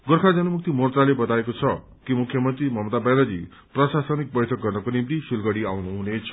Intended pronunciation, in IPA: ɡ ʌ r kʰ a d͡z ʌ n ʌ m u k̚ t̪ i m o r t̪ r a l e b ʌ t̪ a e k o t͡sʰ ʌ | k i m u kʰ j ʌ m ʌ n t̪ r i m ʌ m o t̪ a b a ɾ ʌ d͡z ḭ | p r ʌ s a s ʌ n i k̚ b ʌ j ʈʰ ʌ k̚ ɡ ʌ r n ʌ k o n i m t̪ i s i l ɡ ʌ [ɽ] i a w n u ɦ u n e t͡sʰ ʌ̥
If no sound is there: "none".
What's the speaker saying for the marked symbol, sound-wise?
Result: ɽ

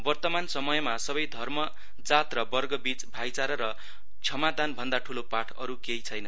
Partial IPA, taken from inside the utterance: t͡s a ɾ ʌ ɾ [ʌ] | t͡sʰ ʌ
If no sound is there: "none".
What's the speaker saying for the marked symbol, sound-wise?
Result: ʌ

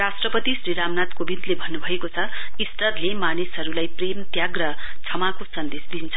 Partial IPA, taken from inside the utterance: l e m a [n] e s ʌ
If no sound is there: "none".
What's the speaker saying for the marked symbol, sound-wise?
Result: n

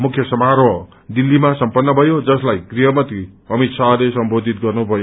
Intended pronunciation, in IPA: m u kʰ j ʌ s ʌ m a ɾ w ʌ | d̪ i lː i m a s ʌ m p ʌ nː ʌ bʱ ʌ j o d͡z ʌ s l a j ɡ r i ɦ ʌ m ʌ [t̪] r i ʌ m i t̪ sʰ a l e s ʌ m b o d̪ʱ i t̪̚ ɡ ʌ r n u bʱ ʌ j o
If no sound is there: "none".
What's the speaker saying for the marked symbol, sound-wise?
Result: t̪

